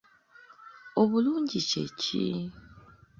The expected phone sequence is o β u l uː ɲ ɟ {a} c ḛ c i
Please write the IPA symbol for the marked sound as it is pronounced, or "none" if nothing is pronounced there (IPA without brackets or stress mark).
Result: i